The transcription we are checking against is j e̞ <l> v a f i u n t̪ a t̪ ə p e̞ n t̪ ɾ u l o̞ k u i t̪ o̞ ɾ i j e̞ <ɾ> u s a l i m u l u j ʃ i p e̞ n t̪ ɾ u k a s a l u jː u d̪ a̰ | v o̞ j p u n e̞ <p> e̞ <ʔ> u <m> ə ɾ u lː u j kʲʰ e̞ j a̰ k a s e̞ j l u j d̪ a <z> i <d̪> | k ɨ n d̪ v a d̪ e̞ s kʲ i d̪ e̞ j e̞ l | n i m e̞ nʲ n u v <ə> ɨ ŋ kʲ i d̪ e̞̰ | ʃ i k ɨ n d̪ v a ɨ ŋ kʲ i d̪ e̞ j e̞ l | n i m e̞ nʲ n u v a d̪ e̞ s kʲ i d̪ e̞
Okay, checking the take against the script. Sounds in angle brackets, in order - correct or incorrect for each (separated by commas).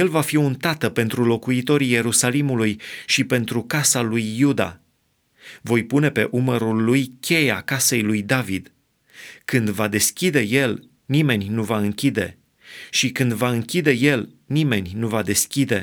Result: correct, correct, correct, correct, correct, incorrect, correct, incorrect